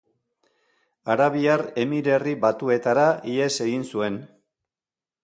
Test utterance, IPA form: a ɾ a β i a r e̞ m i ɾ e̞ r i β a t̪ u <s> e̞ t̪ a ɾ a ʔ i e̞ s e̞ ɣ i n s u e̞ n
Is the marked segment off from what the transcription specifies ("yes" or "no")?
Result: yes